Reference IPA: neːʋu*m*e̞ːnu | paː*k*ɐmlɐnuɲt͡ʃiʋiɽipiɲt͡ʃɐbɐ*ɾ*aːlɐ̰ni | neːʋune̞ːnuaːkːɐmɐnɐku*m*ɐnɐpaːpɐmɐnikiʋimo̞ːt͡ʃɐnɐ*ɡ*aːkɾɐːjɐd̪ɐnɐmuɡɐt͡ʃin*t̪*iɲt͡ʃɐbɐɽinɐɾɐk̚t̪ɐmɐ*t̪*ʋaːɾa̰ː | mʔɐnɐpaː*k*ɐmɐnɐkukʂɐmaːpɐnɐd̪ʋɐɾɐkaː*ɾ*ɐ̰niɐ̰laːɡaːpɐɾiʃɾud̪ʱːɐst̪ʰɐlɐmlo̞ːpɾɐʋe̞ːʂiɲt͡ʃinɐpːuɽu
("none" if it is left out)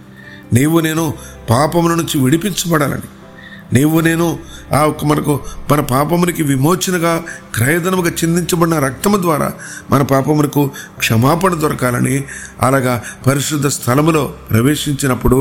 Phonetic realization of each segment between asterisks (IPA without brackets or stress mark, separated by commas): n, p, ɽ, m, ɡ, d̪, d̪, p, l